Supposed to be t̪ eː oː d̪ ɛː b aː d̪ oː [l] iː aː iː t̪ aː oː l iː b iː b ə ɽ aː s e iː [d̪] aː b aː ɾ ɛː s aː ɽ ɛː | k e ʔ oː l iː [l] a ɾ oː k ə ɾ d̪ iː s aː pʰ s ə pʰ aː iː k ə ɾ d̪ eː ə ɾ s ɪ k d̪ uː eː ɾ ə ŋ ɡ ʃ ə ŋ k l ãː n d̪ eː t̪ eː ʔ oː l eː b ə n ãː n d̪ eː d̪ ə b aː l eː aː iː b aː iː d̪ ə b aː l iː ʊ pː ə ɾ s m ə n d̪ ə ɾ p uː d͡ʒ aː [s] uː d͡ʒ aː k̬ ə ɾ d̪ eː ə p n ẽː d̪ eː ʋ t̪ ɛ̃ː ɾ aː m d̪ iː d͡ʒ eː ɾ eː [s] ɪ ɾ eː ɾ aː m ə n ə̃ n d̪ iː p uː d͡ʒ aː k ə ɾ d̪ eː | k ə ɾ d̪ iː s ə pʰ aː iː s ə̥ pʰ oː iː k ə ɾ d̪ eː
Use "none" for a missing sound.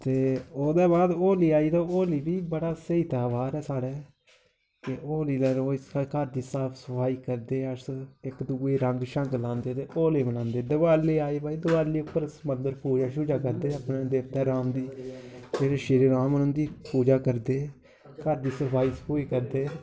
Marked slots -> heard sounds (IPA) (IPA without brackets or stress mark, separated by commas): l, t̪, l, ʃ, ʃ